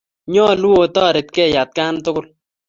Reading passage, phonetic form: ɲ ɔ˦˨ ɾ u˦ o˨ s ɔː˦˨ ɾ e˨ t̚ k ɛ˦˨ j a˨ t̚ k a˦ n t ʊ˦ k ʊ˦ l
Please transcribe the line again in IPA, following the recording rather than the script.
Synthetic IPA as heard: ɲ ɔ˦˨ l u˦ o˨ t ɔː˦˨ ɾ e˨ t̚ k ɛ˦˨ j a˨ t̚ k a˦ n t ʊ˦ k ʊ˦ l